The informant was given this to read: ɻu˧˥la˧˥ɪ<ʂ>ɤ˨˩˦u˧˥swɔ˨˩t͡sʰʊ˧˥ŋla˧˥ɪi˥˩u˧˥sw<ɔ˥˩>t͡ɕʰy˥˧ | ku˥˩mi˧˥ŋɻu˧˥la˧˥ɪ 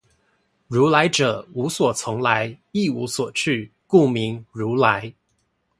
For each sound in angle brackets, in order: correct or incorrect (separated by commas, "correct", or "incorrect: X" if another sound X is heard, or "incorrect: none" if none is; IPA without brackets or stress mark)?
incorrect: ʈ͡ʂ, incorrect: ɔ˨˩